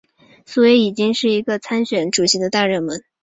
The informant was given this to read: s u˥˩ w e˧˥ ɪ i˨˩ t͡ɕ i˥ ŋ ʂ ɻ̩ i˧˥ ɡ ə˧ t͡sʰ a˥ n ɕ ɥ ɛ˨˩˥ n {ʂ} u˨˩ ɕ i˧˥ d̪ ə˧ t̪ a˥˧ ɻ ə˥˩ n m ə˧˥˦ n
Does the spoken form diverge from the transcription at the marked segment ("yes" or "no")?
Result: yes